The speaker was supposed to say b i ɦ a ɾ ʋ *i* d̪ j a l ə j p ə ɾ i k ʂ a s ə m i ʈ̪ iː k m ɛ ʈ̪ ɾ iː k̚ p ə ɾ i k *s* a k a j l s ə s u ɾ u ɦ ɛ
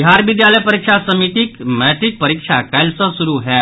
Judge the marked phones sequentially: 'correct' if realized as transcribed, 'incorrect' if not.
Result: correct, incorrect: ʂ

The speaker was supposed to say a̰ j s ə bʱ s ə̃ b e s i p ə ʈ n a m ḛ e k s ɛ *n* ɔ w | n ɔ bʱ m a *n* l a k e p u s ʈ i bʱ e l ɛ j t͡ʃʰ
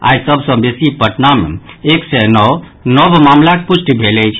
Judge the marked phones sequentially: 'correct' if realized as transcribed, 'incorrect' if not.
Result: correct, incorrect: m

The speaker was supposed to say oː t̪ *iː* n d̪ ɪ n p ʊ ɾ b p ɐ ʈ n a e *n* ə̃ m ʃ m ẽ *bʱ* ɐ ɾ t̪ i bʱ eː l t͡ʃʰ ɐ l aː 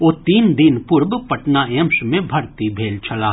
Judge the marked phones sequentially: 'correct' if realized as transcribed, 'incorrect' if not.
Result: correct, incorrect: none, correct

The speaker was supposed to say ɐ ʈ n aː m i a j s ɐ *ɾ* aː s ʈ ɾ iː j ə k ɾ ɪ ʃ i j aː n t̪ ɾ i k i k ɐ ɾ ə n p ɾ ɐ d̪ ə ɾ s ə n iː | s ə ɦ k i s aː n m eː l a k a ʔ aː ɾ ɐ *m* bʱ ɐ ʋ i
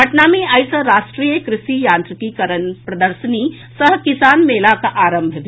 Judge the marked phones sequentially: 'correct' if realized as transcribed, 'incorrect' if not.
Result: correct, correct

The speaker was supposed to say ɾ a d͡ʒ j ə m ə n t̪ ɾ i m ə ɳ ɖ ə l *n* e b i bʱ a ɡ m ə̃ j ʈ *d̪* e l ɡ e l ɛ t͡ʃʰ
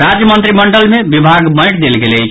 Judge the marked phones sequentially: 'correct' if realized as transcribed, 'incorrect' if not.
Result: incorrect: m, correct

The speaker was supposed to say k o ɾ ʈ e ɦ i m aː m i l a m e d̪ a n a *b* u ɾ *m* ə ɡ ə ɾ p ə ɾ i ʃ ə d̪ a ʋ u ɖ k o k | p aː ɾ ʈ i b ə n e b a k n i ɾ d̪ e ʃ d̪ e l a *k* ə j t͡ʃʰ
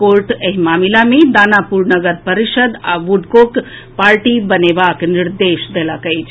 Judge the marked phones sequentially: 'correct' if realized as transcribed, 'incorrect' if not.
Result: incorrect: p, incorrect: n, correct

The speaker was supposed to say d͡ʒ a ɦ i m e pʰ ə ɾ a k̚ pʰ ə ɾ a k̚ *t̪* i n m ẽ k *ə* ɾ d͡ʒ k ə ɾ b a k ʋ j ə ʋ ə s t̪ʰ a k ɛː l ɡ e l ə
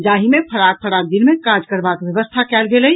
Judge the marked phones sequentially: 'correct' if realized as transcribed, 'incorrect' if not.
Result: incorrect: d̪, incorrect: a

